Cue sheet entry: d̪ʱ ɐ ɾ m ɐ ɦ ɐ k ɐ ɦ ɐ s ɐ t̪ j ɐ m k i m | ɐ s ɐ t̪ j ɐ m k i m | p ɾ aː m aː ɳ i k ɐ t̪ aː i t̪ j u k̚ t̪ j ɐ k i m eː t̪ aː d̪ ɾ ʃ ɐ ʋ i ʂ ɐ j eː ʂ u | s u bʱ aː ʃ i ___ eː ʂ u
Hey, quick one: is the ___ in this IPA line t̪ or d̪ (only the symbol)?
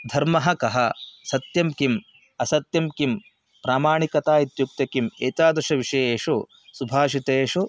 t̪